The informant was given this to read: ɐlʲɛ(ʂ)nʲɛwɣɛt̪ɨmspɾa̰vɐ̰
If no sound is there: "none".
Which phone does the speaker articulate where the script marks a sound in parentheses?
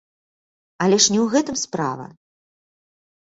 ʂ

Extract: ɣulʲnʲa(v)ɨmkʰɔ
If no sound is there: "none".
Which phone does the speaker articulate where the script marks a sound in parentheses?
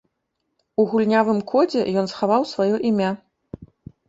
v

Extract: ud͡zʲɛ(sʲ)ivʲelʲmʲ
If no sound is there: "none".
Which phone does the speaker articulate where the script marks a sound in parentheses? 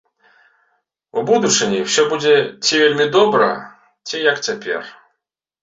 t͡sʲ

